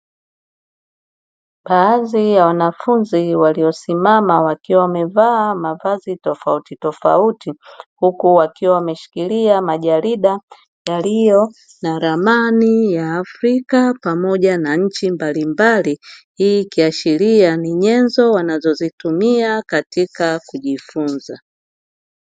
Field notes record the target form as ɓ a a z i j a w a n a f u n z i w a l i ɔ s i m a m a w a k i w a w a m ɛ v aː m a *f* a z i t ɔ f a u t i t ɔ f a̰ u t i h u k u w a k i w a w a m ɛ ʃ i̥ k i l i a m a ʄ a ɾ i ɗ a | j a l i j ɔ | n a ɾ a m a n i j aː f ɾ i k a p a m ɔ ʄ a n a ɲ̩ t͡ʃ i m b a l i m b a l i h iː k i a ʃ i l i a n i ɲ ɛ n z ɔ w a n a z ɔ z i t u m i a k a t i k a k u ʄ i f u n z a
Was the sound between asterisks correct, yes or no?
no